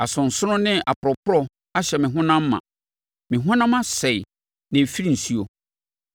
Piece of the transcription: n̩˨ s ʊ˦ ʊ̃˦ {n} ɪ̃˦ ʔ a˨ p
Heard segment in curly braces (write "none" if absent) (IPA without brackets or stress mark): n